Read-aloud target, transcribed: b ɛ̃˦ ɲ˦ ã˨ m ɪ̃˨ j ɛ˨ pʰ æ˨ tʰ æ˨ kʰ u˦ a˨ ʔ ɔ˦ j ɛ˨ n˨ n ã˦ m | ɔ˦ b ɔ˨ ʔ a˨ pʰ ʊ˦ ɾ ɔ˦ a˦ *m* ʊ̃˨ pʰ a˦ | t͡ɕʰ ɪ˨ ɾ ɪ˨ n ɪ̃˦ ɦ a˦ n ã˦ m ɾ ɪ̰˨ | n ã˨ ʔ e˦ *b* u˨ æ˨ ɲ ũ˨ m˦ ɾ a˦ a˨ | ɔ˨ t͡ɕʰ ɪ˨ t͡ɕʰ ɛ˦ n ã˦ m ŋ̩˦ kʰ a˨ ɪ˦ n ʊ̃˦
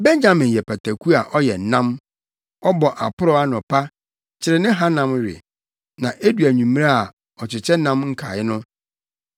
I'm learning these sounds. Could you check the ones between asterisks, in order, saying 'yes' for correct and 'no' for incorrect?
no, no

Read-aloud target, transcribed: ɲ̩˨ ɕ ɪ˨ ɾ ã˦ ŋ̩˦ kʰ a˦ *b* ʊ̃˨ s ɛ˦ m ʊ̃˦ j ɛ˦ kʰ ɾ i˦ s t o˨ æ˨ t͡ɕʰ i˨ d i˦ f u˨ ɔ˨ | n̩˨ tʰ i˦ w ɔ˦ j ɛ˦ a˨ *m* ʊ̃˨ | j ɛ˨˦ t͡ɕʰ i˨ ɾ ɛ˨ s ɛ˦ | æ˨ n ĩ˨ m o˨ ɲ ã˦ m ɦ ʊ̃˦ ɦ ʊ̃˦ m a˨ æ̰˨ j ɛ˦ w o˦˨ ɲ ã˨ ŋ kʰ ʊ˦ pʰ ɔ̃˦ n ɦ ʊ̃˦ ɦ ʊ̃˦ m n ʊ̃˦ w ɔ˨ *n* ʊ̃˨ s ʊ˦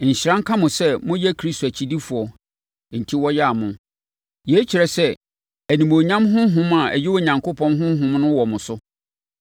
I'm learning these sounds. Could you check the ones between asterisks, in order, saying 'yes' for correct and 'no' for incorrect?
no, yes, no

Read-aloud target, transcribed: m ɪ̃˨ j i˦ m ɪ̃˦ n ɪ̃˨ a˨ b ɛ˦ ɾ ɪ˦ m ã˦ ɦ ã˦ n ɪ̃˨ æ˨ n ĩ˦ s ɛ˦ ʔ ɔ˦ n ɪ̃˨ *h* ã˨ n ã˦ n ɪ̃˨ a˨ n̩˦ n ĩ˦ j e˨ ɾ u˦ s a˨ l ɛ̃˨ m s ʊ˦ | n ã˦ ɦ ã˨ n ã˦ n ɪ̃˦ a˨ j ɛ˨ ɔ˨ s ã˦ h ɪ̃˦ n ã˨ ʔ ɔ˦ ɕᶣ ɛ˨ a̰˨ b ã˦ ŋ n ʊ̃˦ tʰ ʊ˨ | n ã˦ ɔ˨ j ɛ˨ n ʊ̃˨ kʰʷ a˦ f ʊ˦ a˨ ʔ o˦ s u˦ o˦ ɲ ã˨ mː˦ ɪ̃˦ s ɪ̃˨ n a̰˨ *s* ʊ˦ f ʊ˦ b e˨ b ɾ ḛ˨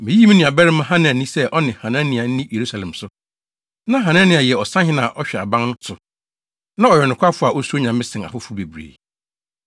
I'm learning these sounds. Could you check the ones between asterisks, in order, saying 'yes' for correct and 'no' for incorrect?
yes, no

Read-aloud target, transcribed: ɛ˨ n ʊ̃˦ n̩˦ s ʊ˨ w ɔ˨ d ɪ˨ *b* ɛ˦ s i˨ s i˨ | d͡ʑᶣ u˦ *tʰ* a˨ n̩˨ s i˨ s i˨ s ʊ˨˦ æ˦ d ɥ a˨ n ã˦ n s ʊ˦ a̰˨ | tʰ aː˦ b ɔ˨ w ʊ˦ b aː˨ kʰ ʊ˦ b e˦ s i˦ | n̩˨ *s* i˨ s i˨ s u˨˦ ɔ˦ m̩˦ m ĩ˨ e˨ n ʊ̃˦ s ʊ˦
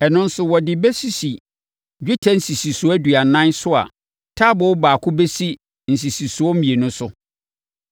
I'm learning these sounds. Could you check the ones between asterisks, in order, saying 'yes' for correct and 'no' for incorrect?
yes, yes, yes

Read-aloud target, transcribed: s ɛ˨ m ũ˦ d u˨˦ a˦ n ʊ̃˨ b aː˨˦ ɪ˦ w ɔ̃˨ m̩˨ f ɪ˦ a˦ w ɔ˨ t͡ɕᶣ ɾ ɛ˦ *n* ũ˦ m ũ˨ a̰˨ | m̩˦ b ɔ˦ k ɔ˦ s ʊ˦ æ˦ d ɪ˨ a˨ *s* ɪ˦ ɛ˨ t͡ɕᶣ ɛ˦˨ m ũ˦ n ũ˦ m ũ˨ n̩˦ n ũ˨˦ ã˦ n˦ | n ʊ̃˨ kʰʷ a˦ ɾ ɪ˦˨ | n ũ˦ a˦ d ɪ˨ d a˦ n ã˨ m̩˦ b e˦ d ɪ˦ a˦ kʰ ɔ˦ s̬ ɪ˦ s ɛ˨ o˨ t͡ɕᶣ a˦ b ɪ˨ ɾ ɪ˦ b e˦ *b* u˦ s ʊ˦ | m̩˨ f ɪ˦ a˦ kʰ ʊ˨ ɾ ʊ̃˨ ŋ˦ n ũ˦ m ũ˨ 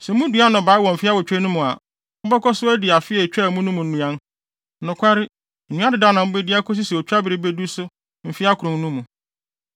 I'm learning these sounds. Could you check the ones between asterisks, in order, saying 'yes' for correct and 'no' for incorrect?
yes, no, no

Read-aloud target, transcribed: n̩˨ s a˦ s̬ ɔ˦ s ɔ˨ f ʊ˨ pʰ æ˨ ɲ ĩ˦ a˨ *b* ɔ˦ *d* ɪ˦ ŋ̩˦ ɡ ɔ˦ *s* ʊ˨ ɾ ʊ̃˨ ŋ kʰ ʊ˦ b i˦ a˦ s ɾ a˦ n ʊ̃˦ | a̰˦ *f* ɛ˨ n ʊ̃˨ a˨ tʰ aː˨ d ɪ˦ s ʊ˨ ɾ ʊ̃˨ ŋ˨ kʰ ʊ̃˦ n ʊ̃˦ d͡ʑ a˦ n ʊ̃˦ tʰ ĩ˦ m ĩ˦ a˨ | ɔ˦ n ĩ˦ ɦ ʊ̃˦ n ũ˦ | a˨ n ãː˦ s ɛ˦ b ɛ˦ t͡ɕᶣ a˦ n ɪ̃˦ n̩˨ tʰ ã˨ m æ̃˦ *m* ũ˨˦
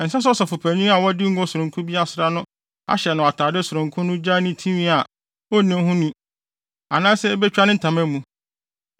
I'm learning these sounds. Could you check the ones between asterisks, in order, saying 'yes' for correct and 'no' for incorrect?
no, yes, yes, no, yes

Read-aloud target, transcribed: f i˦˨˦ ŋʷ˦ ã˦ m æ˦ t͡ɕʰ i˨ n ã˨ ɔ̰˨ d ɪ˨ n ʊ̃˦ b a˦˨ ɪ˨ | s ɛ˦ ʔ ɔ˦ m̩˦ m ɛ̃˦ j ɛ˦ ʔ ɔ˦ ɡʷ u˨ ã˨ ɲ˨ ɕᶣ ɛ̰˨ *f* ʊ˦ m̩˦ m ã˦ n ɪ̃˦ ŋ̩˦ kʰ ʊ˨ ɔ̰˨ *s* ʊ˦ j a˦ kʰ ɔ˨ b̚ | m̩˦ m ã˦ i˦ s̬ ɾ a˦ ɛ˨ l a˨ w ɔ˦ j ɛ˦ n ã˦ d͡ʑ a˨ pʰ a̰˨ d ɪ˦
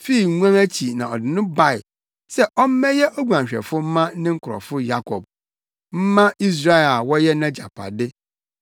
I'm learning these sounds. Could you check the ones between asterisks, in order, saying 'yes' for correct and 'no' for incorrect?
yes, no

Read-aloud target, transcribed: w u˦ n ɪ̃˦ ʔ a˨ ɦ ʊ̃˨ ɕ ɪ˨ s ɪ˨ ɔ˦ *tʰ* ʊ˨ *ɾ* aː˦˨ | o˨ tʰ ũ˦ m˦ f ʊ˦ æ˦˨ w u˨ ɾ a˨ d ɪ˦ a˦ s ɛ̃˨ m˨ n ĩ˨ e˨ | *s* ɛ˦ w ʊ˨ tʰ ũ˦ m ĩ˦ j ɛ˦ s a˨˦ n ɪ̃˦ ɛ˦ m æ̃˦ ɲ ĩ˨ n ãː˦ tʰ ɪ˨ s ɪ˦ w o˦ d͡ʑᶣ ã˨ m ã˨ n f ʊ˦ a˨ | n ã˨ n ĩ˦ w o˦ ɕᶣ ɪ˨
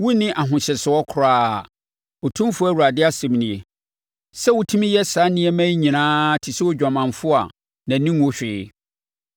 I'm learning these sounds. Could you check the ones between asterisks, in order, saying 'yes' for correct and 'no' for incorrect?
no, yes, yes

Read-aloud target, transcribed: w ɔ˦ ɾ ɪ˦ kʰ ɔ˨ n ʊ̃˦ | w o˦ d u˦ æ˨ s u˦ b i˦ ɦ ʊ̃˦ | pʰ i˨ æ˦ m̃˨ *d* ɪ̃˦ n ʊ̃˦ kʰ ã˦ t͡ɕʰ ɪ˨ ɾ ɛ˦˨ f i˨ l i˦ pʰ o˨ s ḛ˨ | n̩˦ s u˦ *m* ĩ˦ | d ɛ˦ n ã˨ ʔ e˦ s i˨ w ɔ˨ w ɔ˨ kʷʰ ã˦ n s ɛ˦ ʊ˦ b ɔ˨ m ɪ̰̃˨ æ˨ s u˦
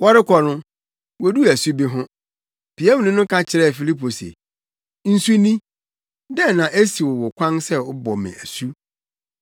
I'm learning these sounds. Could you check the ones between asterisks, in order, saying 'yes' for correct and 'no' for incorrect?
no, no

